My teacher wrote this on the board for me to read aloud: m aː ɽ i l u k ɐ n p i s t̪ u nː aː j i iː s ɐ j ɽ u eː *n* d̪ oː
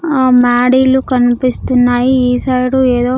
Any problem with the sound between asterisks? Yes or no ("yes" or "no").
yes